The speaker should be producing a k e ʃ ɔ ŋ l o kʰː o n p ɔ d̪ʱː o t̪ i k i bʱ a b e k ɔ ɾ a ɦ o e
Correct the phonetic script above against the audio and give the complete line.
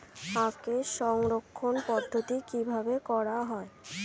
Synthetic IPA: a k e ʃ ɔ ŋ ɾ o kʰː o n p ɔ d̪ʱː o t̪ i k i bʱ a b e k ɔ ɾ a ɦ ɔ e